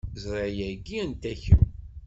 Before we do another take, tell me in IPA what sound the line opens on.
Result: z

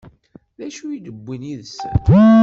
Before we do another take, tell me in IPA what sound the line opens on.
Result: ð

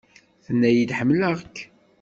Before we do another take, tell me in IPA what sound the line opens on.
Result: θ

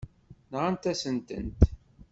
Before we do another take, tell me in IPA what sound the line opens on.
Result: n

